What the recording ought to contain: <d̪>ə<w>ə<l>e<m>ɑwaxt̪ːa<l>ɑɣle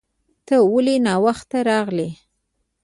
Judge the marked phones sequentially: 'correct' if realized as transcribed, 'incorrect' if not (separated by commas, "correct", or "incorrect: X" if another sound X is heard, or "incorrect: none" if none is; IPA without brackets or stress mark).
incorrect: t̪, correct, correct, incorrect: n, incorrect: ɾ